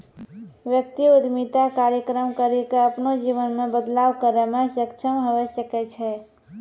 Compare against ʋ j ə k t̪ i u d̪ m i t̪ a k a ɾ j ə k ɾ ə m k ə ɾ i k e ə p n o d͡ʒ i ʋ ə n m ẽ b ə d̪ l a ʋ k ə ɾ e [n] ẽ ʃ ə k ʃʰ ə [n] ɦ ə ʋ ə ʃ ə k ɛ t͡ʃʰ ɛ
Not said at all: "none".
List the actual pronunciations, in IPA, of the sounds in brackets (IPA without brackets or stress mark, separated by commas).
m, m